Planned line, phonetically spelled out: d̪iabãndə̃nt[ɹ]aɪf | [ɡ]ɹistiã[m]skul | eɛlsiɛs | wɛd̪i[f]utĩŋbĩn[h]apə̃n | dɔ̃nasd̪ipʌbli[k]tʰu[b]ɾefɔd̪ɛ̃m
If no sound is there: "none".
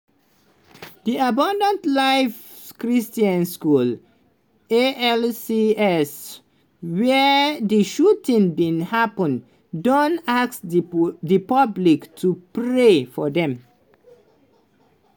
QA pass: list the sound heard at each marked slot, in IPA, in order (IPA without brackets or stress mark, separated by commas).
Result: l, k, n, ʃ, h, k, p